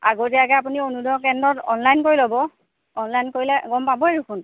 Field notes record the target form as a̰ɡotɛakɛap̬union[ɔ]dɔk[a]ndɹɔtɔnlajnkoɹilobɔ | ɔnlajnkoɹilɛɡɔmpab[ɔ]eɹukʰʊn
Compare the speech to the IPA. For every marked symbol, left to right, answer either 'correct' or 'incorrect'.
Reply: incorrect: u, incorrect: ɛ, correct

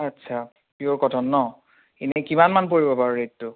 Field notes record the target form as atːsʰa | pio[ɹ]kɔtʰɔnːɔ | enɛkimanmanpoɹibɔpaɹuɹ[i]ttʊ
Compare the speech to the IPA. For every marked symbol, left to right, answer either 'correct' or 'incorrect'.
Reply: correct, incorrect: e

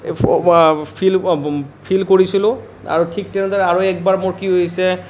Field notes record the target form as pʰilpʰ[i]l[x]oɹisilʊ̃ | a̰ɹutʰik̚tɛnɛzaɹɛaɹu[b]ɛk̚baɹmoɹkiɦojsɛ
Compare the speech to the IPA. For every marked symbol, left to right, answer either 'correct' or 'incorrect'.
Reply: correct, incorrect: k, incorrect: none

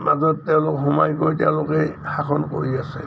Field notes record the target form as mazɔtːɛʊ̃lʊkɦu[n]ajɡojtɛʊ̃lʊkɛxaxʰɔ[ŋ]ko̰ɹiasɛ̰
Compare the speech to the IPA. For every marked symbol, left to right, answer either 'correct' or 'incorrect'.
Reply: incorrect: m, incorrect: n

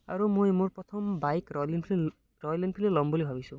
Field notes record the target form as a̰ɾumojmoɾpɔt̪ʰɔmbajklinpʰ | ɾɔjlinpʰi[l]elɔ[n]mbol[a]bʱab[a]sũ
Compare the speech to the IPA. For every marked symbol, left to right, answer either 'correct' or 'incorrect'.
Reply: correct, incorrect: none, incorrect: i, incorrect: i

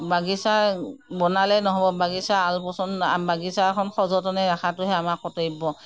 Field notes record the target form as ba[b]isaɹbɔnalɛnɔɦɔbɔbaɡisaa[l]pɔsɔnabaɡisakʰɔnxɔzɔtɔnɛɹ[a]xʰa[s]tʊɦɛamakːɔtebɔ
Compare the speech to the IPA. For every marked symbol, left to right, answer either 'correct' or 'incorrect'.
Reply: incorrect: ɡ, correct, correct, incorrect: none

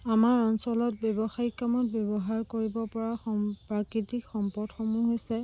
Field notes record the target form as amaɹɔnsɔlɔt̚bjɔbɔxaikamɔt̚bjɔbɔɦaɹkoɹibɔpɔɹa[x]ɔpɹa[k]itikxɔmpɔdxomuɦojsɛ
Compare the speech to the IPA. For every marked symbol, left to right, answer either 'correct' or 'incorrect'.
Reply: correct, correct

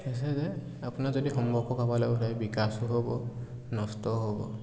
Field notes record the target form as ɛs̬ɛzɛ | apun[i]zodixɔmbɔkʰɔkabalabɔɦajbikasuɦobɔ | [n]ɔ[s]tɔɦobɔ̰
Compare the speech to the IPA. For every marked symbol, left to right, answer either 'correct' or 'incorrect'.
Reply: incorrect: a, correct, correct

